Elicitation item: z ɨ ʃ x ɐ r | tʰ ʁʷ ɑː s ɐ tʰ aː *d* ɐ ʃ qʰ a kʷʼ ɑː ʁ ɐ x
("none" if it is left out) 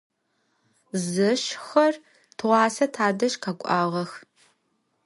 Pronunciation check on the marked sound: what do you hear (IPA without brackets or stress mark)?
d